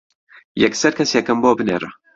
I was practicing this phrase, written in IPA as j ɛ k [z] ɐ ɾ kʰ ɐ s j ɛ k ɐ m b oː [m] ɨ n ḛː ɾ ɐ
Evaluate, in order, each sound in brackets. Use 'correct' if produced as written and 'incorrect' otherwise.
incorrect, incorrect

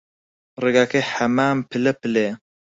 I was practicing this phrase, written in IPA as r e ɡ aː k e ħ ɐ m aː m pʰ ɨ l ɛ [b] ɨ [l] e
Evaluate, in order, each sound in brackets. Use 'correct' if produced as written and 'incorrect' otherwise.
incorrect, correct

